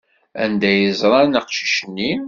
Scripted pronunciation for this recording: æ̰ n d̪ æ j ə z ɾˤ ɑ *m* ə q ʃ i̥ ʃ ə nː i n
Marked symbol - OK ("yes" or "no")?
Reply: no